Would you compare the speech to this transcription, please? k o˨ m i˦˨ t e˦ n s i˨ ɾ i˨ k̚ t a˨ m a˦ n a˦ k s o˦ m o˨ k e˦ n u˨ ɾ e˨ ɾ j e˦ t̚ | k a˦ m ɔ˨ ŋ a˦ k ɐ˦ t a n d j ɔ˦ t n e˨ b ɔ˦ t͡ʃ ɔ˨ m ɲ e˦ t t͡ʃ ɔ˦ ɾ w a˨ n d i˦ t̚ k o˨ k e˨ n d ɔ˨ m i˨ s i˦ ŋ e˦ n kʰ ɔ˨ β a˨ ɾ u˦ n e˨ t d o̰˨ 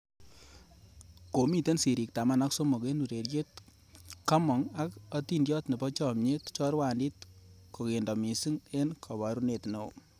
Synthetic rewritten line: k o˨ m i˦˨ t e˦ n s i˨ ɾ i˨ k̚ t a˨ m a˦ n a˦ k s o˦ m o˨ k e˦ n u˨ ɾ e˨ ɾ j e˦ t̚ | k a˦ m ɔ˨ ŋ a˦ k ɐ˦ t i n d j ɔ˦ t n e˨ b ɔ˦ t͡ʃ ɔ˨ m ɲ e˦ t t͡ʃ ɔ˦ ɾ w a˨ n d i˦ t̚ k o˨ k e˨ n d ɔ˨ m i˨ s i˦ ŋ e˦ n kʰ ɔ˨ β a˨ ɾ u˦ n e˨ t n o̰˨